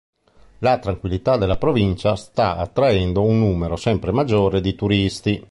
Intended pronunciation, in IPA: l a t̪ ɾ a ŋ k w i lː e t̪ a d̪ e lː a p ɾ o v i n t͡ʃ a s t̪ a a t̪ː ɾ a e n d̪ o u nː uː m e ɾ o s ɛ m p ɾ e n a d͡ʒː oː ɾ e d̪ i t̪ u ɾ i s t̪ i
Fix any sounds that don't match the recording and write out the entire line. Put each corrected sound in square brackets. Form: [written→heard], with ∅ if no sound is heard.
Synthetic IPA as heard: l a t̪ ɾ a ŋ k w i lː [e→i] t̪ a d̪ e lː a p ɾ o v i n t͡ʃ a s t̪ a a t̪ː ɾ a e n d̪ o u nː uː m e ɾ o s ɛ m p ɾ e [n→m] a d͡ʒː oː ɾ e d̪ i t̪ u ɾ i s t̪ i

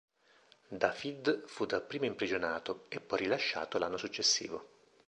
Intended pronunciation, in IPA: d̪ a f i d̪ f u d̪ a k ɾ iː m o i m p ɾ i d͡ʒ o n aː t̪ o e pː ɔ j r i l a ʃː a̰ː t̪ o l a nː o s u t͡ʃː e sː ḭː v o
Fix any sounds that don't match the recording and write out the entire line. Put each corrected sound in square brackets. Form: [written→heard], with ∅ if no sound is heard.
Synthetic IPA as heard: d̪ a f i d̪ f u d̪ a [k→p] ɾ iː m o i m p ɾ i d͡ʒ o n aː t̪ o e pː ɔ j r i l a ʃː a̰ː t̪ o l a nː o s u t͡ʃː e sː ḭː v o

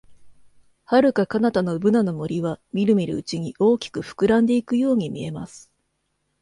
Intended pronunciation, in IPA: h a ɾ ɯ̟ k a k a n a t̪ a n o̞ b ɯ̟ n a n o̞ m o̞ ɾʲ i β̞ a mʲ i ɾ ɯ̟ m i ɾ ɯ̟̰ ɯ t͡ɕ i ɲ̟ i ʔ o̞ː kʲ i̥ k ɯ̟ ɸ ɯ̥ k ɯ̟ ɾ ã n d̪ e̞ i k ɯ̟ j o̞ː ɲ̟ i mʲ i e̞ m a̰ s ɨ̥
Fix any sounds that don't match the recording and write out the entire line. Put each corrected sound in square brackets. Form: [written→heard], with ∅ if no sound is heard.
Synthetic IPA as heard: h a ɾ ɯ̟ k a k a n a t̪ a n o̞ b ɯ̟ n a n o̞ m o̞ ɾʲ i β̞ a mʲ i ɾ ɯ̟ m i ɾ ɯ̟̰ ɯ t͡ɕ i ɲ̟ i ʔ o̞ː kʲ i̥ k ɯ̟ ɸ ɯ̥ k ɯ̟ ɾ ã n d̪ e̞ i k ɯ̟ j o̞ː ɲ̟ i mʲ i e̞ m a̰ s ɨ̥

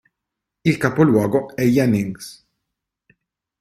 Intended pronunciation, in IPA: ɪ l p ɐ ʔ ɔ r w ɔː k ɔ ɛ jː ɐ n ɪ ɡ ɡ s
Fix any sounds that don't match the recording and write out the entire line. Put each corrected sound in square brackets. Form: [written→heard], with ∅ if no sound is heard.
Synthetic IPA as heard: ɪ l [p→k] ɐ [ʔ→p] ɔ [r→l] w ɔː [k→ɡ] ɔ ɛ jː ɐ n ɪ [ɡ→ŋ] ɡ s

